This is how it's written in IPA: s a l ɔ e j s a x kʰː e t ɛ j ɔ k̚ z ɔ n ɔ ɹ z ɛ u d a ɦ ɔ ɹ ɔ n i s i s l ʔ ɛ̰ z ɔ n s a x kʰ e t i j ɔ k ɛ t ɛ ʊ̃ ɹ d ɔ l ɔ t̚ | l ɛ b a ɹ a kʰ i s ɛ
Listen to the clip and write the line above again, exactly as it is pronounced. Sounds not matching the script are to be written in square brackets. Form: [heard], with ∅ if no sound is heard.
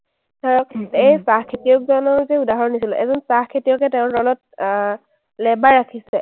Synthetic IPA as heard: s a [ɹ] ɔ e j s a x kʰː e t [i] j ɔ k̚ z ɔ n ɔ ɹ z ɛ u d a ɦ ɔ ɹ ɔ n i s i [∅] l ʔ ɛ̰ z ɔ n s a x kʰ e t i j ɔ k ɛ t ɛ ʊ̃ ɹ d ɔ l ɔ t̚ | l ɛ b a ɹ a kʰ i s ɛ